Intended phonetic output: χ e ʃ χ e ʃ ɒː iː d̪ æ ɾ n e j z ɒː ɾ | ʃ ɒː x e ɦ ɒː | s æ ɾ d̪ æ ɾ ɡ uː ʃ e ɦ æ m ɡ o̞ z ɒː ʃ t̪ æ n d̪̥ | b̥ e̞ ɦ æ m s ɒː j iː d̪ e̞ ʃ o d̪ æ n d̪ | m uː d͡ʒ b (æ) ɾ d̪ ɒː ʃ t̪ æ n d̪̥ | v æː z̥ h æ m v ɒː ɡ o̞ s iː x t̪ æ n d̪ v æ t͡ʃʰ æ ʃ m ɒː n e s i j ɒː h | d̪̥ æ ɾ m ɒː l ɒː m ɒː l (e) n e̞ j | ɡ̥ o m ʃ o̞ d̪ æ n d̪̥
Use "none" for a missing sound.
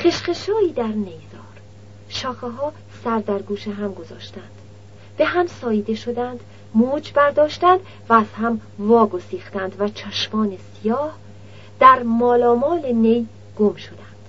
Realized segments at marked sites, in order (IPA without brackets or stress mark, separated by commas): æ, e